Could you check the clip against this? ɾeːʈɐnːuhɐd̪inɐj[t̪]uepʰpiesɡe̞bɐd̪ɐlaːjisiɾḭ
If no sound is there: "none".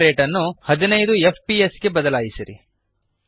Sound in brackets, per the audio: d̪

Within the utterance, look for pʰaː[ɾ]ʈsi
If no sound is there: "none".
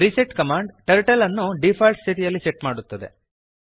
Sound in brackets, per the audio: l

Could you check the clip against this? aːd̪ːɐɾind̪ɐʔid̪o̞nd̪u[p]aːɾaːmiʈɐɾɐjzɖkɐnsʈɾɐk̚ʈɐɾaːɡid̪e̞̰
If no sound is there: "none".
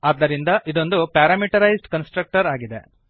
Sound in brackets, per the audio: p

